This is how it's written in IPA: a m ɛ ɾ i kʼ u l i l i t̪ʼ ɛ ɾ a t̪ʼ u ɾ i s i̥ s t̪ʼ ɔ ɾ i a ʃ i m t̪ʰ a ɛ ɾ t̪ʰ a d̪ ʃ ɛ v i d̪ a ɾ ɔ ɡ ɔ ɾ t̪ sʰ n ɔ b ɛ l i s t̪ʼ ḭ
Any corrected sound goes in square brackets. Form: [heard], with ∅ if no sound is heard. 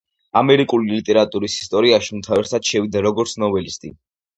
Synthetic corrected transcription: a m ɛ ɾ i kʼ u l i l i t̪ʼ ɛ ɾ a t̪ʼ u ɾ i s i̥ s t̪ʼ ɔ ɾ i a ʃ i m t̪ʰ a ɛ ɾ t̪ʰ a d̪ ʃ ɛ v i d̪ a ɾ ɔ ɡ ɔ ɾ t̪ sʰ n ɔ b ɛ l i s t̪ʼ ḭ